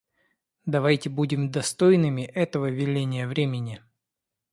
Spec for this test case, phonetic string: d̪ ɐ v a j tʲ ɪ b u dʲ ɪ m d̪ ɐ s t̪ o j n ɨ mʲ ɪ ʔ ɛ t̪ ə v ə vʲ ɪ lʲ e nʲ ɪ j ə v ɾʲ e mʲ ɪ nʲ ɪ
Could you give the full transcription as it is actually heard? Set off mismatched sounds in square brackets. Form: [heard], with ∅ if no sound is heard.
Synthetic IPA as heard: d̪ ɐ v a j tʲ ɪ b u dʲ ɪ m d̪ ɐ s t̪ o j n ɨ mʲ ɪ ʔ ɛ t̪ ə v ə vʲ ɪ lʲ e nʲ ɪ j ə v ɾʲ e mʲ ɪ nʲ ɪ